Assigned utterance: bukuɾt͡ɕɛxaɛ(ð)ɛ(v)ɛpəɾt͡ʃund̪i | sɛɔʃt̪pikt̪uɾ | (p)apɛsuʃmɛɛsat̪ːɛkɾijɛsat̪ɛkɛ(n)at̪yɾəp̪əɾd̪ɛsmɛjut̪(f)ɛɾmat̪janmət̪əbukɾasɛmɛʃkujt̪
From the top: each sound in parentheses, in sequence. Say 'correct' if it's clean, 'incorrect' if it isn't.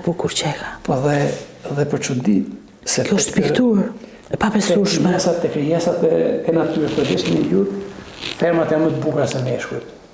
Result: correct, incorrect: ð, correct, correct, correct

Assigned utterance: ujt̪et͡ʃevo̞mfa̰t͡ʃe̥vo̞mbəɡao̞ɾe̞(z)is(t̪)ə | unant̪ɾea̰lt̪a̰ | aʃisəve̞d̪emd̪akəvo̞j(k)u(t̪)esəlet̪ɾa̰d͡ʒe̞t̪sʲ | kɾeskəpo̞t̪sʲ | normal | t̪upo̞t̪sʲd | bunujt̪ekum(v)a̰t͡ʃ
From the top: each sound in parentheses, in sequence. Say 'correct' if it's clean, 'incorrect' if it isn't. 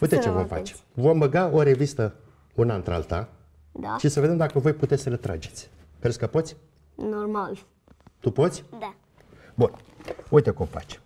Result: incorrect: v, correct, incorrect: p, correct, incorrect: f

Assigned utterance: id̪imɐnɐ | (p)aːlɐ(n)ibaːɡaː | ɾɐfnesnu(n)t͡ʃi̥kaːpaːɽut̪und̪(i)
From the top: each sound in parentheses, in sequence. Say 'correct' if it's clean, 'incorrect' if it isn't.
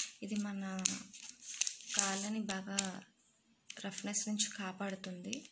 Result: incorrect: k, correct, incorrect: ɲ, correct

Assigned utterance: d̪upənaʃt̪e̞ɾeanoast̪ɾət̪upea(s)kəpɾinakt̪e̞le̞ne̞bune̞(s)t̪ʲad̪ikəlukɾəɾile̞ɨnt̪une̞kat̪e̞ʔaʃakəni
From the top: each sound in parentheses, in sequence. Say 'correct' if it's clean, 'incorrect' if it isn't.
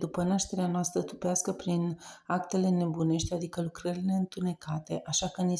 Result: correct, incorrect: ʃ

